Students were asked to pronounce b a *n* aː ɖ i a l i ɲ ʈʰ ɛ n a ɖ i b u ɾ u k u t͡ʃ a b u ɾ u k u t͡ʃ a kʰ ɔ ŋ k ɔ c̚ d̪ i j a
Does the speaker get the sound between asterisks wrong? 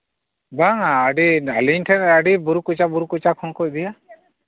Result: yes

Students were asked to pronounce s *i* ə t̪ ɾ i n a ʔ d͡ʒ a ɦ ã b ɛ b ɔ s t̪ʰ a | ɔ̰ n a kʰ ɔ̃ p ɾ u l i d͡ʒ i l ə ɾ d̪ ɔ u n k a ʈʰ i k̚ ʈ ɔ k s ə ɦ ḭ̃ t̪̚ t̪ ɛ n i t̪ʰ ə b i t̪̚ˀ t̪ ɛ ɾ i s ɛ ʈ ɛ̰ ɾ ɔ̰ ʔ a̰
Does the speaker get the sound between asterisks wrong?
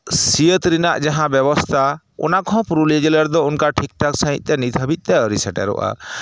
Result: no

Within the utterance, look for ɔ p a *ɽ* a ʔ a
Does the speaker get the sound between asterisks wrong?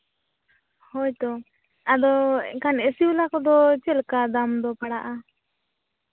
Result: no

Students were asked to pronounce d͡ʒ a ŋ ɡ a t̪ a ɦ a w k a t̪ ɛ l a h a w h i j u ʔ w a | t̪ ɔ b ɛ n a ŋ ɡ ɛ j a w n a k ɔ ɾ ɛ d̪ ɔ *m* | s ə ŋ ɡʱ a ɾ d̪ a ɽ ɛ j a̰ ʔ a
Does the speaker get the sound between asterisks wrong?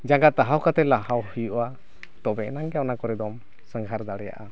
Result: no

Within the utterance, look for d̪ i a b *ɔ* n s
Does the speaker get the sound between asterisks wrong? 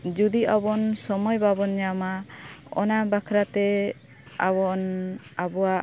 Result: no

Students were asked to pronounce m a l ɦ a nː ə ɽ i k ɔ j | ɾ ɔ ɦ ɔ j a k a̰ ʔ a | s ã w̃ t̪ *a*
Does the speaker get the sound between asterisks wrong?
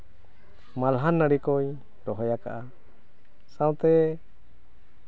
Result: yes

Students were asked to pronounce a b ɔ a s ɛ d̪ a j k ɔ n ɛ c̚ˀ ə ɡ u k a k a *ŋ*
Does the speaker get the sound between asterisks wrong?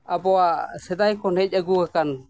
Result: yes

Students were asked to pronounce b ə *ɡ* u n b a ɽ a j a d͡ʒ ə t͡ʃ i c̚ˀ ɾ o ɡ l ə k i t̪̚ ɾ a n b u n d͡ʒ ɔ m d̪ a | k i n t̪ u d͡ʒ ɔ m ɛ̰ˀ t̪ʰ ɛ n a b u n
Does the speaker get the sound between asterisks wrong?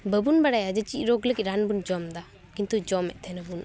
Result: yes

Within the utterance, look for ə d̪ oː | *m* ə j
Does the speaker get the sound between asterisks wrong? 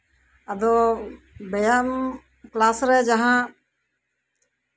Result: yes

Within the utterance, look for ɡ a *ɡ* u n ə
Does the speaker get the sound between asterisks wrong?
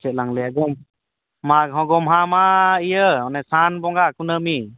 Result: yes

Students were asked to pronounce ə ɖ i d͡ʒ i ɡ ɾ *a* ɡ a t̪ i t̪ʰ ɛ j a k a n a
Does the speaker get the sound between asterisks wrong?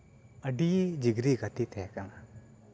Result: yes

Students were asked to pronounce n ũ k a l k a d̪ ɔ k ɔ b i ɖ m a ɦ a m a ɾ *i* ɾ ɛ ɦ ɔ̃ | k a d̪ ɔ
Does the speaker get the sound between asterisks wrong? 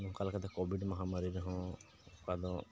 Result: no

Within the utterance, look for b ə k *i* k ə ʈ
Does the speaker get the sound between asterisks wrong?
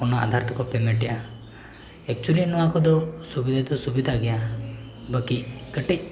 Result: no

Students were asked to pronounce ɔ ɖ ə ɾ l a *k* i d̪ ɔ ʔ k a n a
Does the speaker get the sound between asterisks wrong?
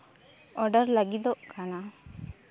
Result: yes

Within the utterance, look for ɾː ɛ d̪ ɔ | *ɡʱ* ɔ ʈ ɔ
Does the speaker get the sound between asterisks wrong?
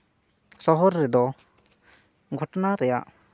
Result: no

